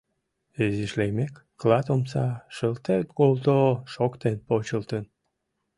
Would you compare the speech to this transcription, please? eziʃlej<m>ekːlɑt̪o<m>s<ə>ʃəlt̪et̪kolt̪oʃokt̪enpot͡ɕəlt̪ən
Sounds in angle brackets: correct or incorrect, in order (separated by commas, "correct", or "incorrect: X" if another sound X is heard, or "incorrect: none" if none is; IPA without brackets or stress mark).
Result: correct, correct, incorrect: ɑ